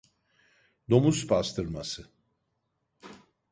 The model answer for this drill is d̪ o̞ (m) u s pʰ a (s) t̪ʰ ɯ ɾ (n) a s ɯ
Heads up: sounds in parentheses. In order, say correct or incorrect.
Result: correct, correct, incorrect: m

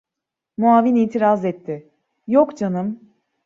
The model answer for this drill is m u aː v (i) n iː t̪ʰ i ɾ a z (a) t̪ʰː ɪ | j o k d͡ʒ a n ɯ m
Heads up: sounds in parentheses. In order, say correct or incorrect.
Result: correct, incorrect: ɛ

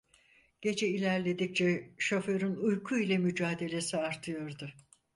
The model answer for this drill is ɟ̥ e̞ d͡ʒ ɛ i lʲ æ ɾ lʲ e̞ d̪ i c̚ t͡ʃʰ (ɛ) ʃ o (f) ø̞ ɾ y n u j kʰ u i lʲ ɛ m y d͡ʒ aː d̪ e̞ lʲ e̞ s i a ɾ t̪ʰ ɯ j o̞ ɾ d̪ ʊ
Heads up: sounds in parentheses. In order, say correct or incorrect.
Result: correct, correct

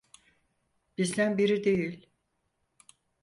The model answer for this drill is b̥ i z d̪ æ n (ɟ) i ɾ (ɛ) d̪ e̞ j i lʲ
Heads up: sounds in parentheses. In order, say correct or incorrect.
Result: incorrect: b, incorrect: i

